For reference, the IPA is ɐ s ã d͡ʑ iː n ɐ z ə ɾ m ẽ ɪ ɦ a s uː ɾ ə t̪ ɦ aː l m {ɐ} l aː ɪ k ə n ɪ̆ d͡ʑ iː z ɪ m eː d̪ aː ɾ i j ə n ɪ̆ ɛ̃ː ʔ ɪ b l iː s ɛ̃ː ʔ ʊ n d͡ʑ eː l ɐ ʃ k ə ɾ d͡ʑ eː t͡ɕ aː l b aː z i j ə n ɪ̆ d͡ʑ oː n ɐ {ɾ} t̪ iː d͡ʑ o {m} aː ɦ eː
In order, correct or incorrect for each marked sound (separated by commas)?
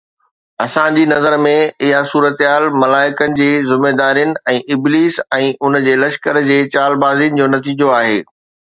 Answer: correct, incorrect, incorrect